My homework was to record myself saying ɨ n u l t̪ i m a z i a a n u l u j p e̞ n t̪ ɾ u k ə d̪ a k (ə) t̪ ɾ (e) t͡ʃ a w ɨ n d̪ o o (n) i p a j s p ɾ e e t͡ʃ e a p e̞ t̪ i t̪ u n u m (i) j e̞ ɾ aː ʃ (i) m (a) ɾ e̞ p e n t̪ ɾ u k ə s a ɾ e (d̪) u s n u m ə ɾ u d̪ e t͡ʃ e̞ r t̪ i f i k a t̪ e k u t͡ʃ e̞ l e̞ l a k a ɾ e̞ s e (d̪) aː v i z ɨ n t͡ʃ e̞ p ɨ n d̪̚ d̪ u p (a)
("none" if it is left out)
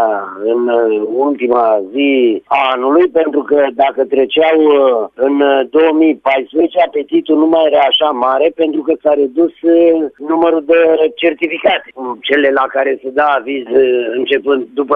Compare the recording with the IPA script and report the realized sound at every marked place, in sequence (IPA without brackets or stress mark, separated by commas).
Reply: ə, e, m, a, a, a, d̪, d̪, ə